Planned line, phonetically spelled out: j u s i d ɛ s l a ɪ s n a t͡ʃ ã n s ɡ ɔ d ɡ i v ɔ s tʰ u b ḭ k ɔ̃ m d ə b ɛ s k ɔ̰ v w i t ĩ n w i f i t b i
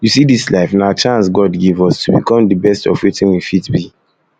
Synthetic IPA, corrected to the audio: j u s i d i s l a ɪ f n a t͡ʃ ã n s ɡ ɔ d ɡ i v ɔ s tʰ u b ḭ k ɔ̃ m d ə b ɛ s t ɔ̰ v w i t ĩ n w i f i t b i